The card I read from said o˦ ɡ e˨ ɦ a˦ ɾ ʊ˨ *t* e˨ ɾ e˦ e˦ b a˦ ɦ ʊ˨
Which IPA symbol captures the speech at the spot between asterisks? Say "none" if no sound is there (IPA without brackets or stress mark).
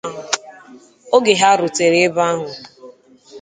t